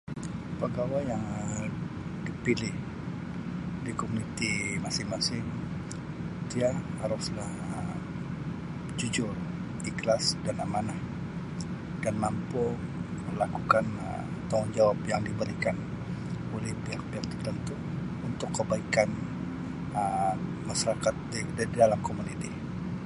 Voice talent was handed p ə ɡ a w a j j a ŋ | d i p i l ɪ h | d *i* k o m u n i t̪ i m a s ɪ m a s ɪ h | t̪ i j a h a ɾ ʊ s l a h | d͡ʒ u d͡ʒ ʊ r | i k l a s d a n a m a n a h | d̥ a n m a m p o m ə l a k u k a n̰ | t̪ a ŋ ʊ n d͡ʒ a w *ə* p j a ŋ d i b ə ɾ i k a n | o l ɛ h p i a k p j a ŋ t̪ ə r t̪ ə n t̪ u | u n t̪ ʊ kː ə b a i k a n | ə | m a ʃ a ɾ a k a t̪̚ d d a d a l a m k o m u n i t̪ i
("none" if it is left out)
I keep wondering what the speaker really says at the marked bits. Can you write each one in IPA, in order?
i, a

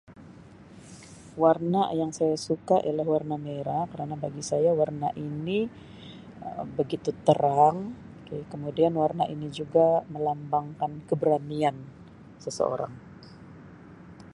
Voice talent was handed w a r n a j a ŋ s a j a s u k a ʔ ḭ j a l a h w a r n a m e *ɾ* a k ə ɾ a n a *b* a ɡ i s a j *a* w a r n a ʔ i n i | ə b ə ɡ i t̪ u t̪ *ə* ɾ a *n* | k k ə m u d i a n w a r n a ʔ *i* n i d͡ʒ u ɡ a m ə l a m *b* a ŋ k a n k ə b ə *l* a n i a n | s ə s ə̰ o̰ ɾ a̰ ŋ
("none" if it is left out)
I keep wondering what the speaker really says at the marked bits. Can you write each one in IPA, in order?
ɾ, b, a, ə, ŋ, i, b, ɾ

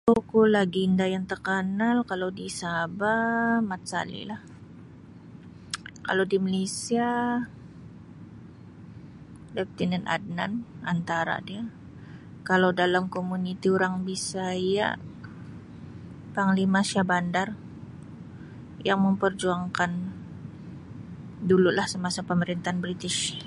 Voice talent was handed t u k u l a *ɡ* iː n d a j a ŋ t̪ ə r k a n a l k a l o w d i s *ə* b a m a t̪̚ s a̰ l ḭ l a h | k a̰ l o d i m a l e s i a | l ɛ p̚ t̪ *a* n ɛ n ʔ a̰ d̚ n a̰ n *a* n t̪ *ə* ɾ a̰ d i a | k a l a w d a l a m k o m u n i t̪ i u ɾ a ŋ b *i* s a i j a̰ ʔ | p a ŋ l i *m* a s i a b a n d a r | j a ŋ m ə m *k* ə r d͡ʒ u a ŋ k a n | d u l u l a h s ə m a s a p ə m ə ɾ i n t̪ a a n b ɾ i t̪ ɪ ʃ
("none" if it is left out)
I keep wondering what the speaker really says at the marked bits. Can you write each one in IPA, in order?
ɡ, a, i, a, a, i, m, p

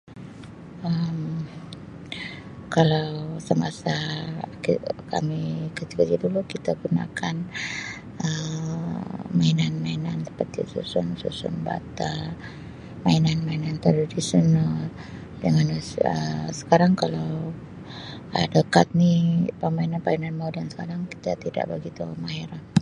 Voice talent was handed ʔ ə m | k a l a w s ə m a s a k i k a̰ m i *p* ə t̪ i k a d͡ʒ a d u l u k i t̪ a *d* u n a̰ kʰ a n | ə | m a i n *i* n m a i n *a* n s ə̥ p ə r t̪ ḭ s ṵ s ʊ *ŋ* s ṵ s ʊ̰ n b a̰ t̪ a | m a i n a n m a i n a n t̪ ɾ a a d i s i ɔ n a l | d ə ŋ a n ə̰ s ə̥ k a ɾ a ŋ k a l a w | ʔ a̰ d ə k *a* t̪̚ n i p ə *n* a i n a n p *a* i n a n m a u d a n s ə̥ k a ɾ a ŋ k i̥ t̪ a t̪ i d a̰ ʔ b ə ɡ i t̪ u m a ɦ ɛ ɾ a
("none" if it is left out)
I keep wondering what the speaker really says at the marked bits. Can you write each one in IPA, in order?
k, ɡ, a, a, n, a, m, a

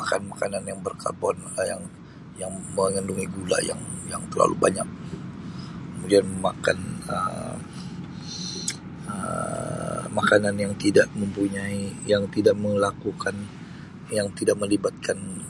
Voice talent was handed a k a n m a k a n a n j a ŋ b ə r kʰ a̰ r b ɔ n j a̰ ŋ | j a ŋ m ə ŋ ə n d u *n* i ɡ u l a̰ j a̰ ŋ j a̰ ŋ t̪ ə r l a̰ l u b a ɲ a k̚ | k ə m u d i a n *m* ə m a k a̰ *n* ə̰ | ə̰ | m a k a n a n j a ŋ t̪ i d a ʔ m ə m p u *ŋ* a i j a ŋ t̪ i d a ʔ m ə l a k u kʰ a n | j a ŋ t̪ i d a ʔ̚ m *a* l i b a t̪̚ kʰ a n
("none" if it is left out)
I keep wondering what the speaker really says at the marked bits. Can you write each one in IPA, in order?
ŋ, m, n, ɲ, ə

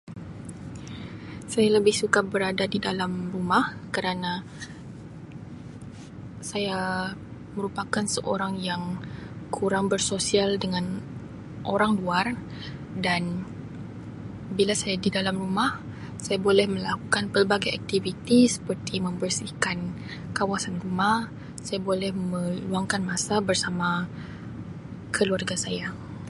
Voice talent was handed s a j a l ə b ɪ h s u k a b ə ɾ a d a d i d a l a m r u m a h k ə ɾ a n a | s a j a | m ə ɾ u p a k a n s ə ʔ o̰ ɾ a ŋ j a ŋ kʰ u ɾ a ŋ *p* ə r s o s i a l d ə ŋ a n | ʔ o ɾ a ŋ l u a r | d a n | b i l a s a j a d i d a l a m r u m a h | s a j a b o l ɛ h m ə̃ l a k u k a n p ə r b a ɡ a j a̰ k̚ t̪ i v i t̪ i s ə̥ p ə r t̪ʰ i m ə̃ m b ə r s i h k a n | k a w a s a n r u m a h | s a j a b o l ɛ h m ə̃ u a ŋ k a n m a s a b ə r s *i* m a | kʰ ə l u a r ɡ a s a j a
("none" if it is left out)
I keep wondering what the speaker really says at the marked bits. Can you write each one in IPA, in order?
b, a

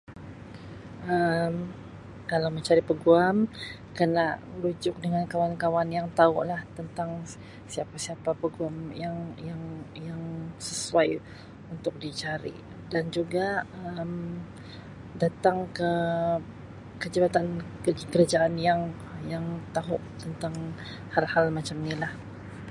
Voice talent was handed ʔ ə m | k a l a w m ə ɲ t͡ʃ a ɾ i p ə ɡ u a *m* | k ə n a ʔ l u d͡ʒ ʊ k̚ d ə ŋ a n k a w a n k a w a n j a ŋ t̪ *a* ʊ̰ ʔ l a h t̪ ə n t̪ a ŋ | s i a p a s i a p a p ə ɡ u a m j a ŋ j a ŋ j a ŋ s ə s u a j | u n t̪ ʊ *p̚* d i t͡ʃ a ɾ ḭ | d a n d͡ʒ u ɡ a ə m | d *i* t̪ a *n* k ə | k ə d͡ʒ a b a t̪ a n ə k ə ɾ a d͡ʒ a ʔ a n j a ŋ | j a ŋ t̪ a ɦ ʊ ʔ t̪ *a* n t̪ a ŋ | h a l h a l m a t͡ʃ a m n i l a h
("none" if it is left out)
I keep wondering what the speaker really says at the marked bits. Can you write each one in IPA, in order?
m, a, k̚, a, ŋ, ə

